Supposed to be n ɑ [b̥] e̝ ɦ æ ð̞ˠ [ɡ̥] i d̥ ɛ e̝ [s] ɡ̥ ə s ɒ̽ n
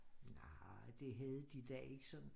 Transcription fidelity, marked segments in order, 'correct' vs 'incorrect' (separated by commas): incorrect, incorrect, incorrect